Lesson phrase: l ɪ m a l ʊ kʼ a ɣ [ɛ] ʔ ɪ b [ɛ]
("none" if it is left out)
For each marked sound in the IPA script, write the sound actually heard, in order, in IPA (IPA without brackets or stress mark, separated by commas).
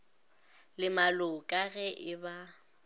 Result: ɛ, a